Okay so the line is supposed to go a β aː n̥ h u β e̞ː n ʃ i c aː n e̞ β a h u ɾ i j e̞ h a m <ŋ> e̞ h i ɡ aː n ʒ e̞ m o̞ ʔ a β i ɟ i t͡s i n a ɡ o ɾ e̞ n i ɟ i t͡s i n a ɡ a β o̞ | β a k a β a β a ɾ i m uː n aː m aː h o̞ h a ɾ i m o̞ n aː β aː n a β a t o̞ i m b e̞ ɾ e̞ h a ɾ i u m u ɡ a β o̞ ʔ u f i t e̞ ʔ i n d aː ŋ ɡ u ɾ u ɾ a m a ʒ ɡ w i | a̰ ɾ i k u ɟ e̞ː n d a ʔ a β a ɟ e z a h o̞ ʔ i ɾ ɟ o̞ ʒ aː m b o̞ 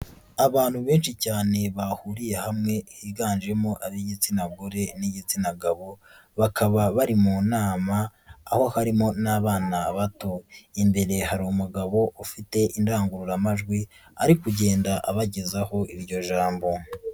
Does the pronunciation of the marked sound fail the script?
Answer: no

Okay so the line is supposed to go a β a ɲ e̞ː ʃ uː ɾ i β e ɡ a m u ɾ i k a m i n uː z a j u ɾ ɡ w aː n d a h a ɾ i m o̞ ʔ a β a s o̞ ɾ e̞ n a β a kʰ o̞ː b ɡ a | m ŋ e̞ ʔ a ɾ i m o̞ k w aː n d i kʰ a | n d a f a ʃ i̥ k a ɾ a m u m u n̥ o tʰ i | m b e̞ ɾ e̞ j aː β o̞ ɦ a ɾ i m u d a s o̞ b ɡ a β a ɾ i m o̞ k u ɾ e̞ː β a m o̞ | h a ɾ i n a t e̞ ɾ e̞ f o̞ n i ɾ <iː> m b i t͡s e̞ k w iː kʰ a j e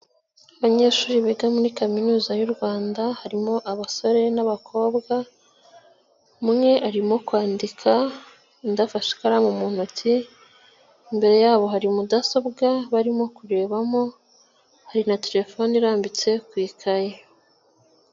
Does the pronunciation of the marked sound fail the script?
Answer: yes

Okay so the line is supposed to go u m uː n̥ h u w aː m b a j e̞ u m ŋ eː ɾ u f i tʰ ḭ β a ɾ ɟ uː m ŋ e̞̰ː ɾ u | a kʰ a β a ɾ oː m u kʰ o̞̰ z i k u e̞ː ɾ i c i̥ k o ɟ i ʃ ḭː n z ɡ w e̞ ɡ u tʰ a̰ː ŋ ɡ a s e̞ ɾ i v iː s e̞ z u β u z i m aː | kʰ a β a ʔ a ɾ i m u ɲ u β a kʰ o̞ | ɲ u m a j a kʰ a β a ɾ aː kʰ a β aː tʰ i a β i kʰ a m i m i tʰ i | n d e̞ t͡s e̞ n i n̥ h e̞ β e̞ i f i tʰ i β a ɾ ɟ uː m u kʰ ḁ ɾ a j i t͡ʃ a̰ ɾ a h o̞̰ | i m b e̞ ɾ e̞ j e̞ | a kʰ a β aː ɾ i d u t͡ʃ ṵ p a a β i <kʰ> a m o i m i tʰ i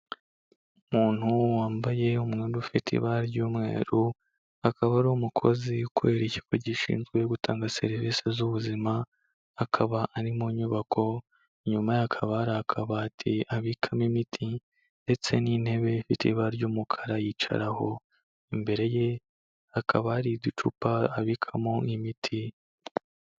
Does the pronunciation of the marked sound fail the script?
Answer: no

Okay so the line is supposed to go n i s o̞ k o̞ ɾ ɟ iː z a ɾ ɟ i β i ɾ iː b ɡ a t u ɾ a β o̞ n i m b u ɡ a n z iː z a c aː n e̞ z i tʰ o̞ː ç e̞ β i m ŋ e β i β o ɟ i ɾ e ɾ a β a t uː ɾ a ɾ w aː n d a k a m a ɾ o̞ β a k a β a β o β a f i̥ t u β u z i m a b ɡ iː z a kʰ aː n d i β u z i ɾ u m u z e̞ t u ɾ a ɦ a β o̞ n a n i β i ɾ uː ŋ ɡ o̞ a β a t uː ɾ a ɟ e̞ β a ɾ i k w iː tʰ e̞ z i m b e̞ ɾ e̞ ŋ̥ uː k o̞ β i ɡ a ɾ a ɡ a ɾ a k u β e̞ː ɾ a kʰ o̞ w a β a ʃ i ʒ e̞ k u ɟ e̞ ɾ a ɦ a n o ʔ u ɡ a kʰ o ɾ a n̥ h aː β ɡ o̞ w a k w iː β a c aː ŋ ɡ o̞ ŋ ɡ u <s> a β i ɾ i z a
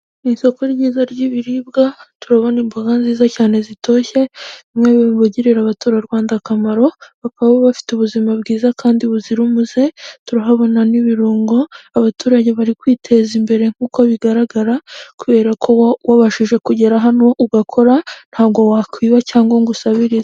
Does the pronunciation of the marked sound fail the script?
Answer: no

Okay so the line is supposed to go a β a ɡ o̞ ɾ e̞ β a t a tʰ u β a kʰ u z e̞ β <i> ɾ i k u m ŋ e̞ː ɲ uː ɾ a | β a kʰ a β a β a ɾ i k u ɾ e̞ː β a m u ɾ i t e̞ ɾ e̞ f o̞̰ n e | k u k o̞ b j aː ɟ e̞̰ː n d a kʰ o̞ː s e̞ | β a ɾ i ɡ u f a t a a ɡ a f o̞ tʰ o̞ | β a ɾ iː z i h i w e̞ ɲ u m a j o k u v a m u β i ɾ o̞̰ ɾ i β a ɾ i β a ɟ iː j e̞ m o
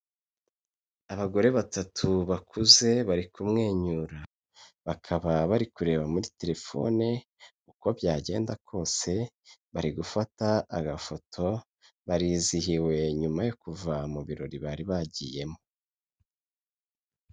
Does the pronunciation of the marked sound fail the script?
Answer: yes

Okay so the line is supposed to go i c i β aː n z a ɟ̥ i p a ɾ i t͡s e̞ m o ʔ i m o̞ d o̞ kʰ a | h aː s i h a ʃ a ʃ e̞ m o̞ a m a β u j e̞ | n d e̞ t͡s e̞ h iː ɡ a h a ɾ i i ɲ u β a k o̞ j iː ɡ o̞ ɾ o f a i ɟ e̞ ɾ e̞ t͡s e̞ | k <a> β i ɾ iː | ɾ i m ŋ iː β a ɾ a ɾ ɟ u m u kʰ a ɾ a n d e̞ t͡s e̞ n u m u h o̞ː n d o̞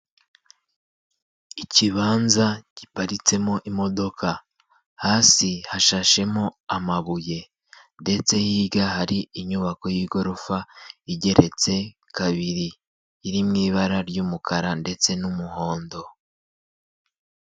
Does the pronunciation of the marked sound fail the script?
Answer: no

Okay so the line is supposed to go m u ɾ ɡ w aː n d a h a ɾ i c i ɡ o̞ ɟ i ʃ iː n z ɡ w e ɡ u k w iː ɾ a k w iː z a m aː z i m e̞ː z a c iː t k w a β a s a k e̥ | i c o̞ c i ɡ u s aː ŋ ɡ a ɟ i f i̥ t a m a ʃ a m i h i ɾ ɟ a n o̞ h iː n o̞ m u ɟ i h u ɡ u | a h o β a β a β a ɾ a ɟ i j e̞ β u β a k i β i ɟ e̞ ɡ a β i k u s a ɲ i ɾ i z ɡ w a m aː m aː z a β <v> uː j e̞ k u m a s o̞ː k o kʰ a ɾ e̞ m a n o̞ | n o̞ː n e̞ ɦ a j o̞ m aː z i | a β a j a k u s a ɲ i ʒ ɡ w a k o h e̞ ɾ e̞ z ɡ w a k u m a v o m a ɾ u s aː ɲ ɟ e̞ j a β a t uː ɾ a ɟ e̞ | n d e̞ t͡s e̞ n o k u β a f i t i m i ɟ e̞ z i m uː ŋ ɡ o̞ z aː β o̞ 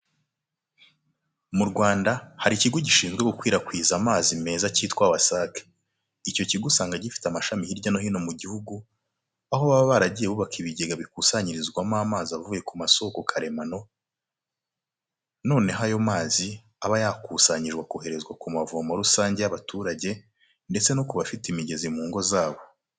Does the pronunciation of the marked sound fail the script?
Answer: no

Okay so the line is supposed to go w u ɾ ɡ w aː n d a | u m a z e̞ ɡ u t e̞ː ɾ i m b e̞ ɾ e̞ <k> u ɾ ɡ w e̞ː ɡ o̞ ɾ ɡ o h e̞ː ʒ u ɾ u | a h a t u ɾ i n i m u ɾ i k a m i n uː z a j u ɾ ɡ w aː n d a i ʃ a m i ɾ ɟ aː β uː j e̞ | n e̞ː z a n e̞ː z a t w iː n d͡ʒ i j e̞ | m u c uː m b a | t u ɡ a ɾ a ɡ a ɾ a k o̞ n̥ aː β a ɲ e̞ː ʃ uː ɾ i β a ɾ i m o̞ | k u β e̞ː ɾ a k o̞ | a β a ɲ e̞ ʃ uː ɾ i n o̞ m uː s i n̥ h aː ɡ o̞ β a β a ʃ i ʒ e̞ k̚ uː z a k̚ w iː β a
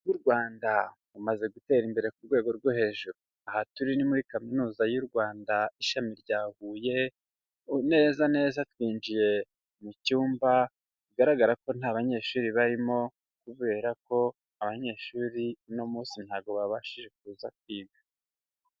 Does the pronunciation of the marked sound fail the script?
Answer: no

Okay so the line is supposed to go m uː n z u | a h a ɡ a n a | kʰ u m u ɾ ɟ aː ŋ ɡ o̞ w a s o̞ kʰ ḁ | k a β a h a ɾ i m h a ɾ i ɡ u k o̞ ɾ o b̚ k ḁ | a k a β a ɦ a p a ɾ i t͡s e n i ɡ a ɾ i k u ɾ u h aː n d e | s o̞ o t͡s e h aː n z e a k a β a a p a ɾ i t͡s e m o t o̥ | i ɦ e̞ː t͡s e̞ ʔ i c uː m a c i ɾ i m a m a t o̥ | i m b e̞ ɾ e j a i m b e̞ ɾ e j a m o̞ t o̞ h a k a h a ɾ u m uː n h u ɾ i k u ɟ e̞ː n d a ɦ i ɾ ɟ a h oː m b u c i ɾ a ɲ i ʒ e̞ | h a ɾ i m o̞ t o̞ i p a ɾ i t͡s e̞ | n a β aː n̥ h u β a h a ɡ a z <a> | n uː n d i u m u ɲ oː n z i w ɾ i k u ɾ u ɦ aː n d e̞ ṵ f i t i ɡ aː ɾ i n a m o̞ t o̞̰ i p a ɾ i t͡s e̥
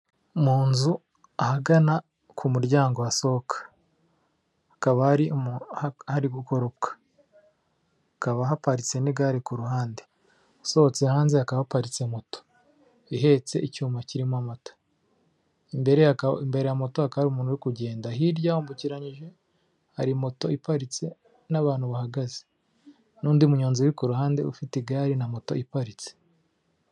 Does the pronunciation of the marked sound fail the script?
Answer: yes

